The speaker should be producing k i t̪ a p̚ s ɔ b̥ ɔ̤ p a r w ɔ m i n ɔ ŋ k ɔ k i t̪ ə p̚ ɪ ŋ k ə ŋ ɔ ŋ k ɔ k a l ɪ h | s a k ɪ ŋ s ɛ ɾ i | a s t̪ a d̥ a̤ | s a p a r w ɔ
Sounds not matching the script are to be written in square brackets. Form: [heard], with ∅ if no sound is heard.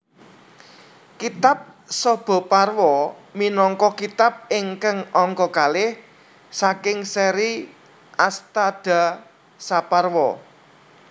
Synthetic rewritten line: k i t̪ a p̚ s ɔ b̥ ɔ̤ p a r w ɔ m i n ɔ ŋ k ɔ k i t̪ [a] p̚ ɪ ŋ k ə ŋ ɔ ŋ k ɔ k a l ɪ h | s a k ɪ ŋ s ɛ ɾ i | a s t̪ a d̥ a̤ | s a p a r w ɔ